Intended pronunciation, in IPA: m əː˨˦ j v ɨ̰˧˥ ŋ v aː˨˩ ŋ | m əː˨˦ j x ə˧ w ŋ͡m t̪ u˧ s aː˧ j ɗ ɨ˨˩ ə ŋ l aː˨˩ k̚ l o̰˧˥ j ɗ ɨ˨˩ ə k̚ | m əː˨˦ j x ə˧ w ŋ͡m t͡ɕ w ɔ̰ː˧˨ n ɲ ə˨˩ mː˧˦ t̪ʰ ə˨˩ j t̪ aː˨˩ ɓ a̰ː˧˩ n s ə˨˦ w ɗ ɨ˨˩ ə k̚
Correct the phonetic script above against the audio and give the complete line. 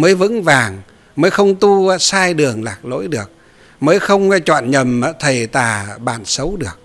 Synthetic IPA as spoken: m əː˨˦ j v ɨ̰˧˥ ŋ v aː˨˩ ŋ | m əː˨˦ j x ə˧ w ŋ͡m t̪ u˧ s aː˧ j ɗ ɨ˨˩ ə ŋ l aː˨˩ k̚ l o̰˧˥ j ɗ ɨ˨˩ ə k̚ | m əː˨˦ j x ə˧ w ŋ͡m t͡ɕ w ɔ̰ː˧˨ n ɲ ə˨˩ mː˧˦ t̪ʰ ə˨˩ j t̪ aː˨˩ ɓ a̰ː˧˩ n s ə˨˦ w ɗ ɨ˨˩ ə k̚

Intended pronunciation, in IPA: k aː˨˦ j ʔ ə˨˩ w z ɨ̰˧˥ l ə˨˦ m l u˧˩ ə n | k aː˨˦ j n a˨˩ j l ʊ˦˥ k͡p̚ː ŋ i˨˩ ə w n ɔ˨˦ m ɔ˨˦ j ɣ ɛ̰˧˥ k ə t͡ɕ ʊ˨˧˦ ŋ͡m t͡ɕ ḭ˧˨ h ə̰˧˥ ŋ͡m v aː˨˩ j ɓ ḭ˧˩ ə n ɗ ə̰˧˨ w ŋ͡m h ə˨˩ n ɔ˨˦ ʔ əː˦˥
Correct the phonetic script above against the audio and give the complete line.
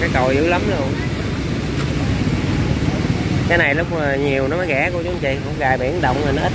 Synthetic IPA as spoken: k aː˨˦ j k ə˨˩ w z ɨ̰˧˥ l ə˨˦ m l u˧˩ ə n | k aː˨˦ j n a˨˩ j l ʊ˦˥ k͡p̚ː ɲ i˨˩ ə w n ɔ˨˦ m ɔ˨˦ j ɣ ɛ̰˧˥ k ə t͡ɕ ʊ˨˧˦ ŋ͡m t͡ɕ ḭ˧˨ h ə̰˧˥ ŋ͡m ɣ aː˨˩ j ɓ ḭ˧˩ ə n ɗ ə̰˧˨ w ŋ͡m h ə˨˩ n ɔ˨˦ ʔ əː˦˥

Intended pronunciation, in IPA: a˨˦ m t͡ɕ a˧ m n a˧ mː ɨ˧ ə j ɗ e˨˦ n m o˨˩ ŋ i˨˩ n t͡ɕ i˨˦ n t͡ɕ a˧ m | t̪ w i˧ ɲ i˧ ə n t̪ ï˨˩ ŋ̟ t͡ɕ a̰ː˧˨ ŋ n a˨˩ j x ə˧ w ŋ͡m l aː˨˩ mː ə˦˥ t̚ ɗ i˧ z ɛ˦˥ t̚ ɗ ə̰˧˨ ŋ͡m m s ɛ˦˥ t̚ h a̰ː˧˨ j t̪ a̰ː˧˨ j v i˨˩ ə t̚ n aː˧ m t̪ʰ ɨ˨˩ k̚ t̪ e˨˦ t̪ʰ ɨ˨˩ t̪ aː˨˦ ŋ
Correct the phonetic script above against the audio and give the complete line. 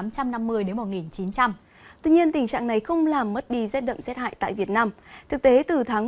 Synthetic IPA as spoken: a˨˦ m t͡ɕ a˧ m n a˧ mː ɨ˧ ə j ɗ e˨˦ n m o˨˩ ŋ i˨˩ n t͡ɕ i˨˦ n t͡ɕ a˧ m | t̪ w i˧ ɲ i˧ ə n t̪ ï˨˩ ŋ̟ t͡ɕ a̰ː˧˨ ŋ n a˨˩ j x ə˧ w ŋ͡m l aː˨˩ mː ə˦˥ t̚ ɗ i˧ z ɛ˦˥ t̚ ɗ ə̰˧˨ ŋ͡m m s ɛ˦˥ t̚ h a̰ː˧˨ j t̪ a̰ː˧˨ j v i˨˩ ə t̚ n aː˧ m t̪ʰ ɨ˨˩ k̚ t̪ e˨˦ t̪ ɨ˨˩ t̪ʰ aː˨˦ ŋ

